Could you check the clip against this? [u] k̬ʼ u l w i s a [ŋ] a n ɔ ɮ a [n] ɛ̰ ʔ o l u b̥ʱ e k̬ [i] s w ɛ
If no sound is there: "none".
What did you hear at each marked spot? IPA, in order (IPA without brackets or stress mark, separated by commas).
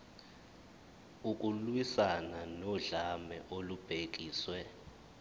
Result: u, n, m, iː